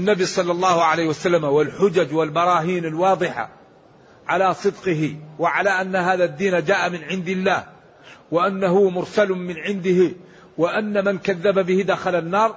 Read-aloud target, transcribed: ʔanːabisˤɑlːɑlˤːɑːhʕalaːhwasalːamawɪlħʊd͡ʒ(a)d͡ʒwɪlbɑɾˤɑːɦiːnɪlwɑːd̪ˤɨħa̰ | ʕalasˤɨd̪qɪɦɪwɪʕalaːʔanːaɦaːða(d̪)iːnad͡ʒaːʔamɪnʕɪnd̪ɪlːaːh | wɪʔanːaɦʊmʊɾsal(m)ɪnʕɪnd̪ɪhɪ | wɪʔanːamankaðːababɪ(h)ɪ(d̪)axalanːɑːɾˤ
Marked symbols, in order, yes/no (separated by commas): yes, no, yes, yes, yes